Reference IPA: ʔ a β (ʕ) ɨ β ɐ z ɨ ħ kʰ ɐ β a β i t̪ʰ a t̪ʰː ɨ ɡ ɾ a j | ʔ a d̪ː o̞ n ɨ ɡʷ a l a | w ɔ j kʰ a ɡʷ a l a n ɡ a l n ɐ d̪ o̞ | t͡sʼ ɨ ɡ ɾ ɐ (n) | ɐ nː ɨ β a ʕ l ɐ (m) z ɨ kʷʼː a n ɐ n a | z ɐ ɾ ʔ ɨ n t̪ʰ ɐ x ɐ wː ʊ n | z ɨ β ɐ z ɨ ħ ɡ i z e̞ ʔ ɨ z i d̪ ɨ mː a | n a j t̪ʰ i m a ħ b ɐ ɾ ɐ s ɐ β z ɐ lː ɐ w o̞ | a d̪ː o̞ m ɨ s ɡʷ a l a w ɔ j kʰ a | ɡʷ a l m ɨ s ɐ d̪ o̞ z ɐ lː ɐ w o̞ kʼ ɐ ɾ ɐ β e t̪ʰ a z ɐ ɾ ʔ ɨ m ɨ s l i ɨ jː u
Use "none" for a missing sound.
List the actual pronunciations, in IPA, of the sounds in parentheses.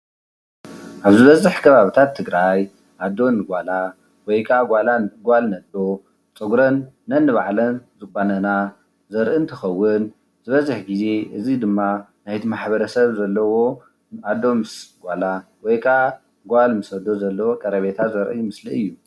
z, nː, n

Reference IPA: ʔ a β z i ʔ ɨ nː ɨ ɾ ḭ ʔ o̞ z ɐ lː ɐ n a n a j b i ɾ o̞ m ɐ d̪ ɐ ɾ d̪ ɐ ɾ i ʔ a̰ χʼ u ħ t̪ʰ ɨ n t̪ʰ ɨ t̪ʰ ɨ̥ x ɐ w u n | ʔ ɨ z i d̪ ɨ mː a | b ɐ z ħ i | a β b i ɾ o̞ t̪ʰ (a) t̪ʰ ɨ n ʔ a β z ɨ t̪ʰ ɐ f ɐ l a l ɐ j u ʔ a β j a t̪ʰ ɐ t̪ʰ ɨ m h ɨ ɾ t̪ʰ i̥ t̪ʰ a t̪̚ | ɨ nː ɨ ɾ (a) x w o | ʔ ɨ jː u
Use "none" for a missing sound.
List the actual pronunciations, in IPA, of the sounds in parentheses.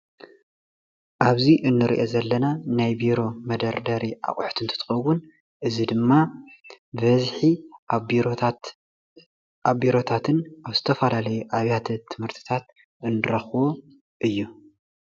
a, ɐ

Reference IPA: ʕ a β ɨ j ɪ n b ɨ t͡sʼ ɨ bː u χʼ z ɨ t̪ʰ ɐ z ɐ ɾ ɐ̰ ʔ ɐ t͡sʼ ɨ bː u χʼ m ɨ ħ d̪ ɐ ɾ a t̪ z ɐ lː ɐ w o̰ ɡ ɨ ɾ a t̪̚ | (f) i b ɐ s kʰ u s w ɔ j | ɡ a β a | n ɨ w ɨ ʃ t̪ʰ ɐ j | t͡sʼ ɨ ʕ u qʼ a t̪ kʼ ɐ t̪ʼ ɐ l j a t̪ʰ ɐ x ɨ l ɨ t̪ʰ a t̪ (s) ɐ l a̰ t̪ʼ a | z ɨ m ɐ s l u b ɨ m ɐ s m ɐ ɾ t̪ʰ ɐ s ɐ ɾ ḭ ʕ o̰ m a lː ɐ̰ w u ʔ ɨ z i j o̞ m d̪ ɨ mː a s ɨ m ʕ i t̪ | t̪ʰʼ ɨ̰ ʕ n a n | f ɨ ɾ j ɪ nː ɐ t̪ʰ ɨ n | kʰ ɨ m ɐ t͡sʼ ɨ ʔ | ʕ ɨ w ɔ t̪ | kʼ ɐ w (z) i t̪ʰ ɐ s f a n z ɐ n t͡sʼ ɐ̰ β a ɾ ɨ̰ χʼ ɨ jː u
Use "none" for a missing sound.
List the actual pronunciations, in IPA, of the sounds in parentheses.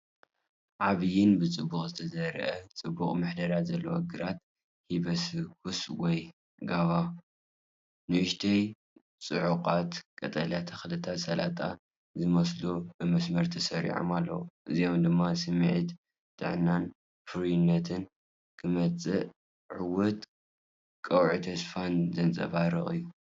h, s, ʕ

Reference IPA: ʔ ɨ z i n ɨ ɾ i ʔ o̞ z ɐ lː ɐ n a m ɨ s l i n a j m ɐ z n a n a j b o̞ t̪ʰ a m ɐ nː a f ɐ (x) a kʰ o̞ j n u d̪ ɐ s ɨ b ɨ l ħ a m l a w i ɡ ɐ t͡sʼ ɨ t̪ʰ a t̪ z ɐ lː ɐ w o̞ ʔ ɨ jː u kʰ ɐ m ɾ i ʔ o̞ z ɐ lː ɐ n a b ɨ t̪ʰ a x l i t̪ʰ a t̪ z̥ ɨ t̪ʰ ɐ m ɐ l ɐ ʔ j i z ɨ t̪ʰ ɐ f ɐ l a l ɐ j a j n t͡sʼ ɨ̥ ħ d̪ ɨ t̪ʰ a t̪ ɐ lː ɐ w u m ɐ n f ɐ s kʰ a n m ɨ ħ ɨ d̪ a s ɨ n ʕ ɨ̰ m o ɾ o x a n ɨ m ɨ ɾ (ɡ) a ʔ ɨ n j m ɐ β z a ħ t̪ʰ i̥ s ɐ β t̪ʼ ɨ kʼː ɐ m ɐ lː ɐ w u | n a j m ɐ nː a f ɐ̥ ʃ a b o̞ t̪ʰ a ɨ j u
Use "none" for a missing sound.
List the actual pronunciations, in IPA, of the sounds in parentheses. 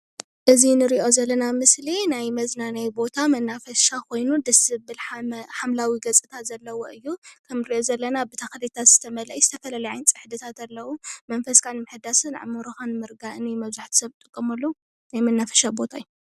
ʃ, ɡ

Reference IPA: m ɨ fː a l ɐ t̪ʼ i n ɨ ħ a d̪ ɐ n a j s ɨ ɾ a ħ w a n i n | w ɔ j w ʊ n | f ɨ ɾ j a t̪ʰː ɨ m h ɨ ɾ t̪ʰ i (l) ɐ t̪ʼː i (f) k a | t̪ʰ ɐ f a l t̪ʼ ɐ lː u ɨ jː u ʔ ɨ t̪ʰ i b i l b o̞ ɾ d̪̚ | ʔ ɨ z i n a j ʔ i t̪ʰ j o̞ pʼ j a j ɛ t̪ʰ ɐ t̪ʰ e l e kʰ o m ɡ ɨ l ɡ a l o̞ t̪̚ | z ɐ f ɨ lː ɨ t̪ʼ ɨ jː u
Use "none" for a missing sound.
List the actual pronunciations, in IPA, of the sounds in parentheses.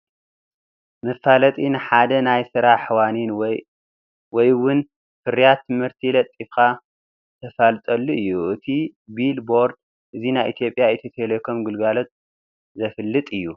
l, f

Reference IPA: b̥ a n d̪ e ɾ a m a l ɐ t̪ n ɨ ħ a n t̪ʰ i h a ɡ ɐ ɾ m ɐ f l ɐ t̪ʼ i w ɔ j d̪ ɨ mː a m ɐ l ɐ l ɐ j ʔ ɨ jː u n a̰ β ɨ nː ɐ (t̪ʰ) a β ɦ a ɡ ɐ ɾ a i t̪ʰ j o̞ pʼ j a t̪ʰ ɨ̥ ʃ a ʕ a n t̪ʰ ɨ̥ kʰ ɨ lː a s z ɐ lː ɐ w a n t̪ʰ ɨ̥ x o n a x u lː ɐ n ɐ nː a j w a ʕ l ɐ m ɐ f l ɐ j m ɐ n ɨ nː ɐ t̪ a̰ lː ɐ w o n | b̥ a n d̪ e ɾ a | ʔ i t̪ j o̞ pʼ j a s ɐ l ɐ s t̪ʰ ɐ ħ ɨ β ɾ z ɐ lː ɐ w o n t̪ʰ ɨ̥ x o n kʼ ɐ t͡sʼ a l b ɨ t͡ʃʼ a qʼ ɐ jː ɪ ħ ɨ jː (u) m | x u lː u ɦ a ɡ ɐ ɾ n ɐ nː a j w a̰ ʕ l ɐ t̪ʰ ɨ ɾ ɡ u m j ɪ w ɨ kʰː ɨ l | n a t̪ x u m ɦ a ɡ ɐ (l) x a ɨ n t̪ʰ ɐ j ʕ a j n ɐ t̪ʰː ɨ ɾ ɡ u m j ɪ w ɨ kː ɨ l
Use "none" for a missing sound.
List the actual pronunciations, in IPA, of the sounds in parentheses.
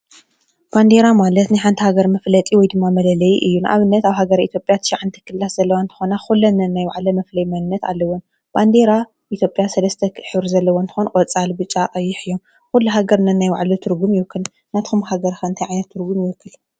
t̪, o, ɾ

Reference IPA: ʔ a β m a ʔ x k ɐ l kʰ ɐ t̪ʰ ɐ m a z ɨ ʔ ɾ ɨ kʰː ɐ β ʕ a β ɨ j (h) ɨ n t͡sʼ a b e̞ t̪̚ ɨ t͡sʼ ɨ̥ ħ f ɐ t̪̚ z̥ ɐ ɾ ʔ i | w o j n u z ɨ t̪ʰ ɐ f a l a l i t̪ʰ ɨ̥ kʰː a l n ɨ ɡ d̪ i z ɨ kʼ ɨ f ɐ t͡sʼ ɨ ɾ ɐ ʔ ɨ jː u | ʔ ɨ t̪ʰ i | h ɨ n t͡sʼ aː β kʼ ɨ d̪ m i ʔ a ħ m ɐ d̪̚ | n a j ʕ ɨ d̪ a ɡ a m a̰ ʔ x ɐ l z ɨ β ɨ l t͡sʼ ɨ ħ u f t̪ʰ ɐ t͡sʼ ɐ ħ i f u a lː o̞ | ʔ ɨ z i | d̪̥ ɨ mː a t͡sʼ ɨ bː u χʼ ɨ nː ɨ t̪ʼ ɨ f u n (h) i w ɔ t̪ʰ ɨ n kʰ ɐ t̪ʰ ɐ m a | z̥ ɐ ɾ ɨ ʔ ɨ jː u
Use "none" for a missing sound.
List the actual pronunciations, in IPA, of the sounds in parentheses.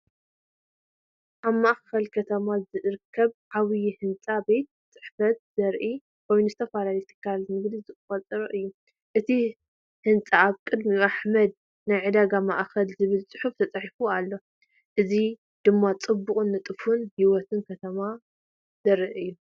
h, h

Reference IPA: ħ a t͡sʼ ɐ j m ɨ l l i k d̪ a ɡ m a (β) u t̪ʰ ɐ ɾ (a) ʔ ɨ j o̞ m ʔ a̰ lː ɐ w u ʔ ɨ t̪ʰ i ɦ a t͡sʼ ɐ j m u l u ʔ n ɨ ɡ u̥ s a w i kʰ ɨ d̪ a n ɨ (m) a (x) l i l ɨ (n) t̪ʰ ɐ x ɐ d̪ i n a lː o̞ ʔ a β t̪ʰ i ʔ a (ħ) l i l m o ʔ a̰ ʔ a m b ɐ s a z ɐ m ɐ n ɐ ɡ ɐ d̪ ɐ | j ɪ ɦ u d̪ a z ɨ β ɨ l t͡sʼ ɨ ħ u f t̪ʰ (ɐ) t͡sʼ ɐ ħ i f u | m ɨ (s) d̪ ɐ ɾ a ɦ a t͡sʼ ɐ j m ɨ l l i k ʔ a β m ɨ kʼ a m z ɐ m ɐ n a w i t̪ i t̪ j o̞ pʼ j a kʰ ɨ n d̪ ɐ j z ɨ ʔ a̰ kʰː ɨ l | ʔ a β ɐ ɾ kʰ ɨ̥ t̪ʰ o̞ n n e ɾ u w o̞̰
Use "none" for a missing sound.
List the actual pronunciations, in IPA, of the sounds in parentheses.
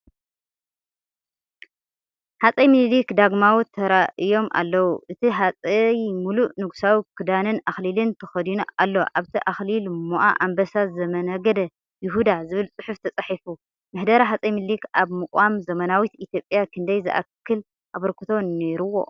w, a, n, x, n, x, ɐ, ħ

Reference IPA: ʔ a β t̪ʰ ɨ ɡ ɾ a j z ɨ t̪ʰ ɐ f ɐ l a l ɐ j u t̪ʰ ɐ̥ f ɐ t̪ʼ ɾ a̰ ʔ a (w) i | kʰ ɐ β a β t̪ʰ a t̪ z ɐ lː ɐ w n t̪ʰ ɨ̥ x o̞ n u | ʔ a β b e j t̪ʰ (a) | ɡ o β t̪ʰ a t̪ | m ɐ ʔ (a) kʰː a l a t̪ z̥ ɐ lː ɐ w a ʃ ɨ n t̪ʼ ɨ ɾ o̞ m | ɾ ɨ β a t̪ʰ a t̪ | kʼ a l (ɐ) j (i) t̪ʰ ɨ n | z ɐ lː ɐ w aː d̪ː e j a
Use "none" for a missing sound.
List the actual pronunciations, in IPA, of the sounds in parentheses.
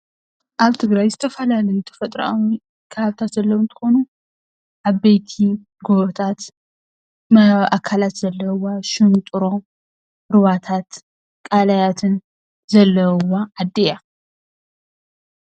w, i, a, a, a

